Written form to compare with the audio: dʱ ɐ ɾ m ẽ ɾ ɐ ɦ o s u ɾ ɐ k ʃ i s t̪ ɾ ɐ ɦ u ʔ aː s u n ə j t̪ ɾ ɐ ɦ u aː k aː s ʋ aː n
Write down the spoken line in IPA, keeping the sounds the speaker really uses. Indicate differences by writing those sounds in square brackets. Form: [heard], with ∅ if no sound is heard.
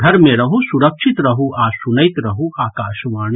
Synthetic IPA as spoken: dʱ ɐ ɾ m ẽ ɾ ɐ ɦ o s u ɾ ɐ k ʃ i [∅] t̪ ɾ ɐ ɦ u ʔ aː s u n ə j t̪ ɾ ɐ ɦ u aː k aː [ʃ] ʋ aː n